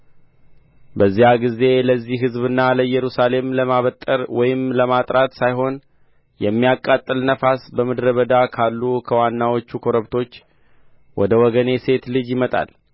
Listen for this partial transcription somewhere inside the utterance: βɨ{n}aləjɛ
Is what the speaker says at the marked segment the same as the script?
no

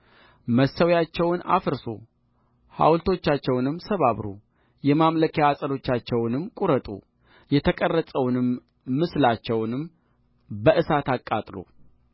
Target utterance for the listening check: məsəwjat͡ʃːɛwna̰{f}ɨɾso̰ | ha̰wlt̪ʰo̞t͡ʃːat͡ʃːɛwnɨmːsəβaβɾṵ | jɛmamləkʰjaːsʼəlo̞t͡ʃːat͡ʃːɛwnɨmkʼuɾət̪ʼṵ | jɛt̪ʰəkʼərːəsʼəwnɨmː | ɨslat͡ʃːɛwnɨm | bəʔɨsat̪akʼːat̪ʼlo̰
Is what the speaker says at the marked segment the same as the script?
yes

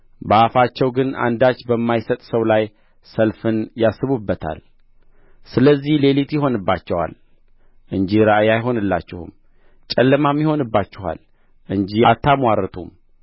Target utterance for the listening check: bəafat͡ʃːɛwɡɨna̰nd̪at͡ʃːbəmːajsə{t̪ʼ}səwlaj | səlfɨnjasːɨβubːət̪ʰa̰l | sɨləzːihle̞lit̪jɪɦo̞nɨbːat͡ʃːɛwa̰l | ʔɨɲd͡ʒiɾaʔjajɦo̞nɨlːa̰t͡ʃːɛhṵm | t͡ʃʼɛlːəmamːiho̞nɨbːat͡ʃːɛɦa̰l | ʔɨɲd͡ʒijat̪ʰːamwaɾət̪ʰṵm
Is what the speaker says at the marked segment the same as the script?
yes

